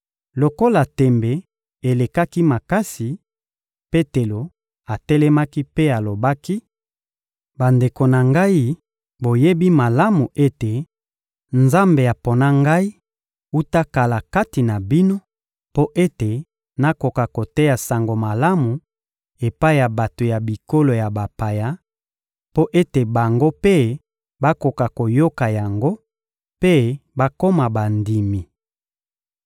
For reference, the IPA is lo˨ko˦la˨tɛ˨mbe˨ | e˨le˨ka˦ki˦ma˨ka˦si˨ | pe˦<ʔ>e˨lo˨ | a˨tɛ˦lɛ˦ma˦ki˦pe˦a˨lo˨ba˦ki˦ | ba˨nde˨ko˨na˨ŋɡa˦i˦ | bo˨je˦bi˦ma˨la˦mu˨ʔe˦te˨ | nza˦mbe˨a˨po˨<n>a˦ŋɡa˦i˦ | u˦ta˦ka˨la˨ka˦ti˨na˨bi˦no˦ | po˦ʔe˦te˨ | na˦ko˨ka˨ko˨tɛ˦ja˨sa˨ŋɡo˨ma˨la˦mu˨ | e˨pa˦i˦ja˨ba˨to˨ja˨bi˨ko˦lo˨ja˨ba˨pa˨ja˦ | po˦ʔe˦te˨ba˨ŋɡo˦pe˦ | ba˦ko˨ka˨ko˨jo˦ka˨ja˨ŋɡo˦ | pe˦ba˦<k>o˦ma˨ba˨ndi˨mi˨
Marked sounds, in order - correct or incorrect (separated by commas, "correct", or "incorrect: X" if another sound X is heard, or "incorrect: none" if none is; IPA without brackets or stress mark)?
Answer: incorrect: t, correct, correct